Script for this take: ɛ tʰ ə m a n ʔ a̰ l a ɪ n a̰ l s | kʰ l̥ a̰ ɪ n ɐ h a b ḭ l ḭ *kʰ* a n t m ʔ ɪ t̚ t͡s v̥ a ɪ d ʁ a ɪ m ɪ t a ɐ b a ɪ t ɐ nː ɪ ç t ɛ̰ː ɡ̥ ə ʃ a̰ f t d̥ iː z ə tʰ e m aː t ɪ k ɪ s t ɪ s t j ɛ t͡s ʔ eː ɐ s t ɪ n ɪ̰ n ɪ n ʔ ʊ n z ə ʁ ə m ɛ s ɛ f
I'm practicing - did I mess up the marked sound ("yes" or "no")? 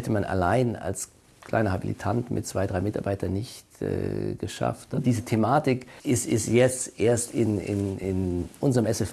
yes